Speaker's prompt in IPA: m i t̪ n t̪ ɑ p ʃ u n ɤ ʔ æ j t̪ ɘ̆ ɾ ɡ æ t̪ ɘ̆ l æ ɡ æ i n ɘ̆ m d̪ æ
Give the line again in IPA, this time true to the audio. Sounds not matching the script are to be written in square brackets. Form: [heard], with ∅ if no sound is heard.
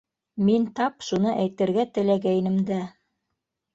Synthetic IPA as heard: m i [∅] n t̪ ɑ p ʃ u n ɤ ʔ æ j t̪ ɘ̆ ɾ ɡ æ t̪ ɘ̆ l æ ɡ æ [j] n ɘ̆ m d̪ æ